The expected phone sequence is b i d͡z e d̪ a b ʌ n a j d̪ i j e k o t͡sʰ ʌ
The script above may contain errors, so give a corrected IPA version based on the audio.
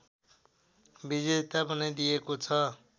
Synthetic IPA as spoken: b i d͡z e t̪ a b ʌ n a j d̪ i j e k o t͡sʰ ʌ